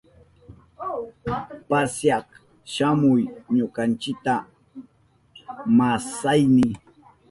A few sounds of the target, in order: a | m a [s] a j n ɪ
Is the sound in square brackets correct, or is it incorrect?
correct